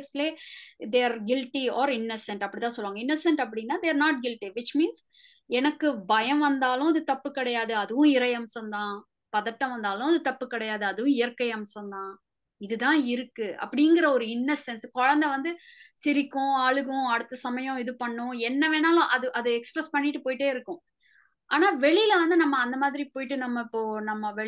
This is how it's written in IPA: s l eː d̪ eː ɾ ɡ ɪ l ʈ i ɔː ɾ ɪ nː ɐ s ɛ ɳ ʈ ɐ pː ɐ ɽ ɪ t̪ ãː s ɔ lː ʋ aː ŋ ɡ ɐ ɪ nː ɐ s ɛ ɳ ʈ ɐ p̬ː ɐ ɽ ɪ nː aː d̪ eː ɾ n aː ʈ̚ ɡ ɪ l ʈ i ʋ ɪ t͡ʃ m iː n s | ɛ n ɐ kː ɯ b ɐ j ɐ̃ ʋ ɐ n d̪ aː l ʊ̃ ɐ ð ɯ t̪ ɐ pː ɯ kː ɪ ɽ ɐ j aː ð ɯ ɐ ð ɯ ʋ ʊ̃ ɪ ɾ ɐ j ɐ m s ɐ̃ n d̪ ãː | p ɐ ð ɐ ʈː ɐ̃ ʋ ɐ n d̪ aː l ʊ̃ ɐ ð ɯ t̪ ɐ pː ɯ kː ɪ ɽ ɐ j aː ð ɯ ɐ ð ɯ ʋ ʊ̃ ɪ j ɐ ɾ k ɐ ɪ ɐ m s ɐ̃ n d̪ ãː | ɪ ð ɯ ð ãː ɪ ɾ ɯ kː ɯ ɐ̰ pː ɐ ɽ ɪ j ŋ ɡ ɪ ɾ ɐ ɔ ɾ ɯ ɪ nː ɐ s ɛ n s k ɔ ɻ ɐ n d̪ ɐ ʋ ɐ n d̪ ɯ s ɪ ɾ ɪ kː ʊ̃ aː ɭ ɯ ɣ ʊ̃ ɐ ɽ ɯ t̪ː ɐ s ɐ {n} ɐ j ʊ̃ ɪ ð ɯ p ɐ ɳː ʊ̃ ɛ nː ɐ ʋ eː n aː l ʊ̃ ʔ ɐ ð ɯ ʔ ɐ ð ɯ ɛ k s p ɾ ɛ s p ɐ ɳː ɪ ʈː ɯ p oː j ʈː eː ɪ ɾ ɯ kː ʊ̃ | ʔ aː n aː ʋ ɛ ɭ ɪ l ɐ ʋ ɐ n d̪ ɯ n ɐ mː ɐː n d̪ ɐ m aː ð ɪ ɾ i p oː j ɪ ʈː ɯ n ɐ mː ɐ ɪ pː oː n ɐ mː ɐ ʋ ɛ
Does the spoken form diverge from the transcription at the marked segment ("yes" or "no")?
yes